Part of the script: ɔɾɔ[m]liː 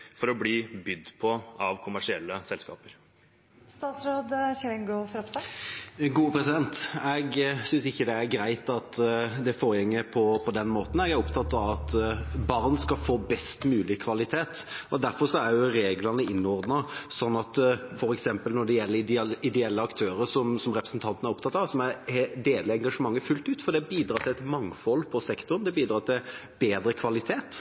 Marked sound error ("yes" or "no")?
yes